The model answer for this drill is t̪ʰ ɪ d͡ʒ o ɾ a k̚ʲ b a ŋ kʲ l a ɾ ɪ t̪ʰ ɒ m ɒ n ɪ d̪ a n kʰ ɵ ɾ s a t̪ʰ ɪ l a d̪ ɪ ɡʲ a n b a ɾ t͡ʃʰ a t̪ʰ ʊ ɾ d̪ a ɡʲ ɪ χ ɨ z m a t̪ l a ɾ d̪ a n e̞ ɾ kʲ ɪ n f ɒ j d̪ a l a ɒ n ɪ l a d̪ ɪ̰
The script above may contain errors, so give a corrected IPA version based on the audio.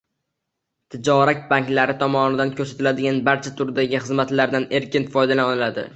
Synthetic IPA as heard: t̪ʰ ɪ d͡ʒ ɒ ɾ a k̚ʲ b a ŋ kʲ l a ɾ ɪ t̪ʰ ɒ m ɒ n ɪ d̪ a n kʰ ɵ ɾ s a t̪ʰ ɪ l a d̪ ɪ ɡʲ a n b a ɾ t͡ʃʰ a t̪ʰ ʊ ɾ d̪ a ɡʲ ɪ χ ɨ z m a t̪ l a ɾ d̪ a n e̞ ɾ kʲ ɪ n f ɒ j d̪ a l a ɒ n ɪ l a d̪ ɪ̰